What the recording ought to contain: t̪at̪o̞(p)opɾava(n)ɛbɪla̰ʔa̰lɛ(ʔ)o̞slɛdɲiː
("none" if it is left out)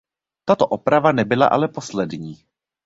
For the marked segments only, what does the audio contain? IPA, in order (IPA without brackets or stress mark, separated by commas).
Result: ʔ, n, p